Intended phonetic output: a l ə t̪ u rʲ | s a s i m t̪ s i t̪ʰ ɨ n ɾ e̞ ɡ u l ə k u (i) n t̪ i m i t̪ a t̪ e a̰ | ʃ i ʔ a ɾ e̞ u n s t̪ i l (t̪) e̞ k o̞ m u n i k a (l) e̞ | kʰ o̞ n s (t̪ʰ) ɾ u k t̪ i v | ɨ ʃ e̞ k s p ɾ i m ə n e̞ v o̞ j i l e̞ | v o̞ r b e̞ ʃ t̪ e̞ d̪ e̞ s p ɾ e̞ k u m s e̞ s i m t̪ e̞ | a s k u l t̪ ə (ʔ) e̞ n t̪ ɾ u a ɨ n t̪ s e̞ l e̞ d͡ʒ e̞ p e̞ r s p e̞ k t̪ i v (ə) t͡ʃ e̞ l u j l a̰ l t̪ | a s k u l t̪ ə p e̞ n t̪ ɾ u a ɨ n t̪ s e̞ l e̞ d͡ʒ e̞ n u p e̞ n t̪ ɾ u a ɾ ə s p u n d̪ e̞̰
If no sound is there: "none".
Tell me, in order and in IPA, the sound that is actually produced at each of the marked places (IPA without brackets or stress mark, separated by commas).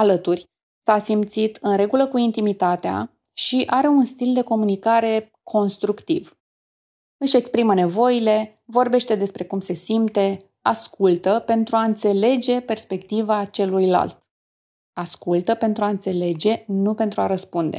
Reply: i, d̪, ɾ, t̪, p, a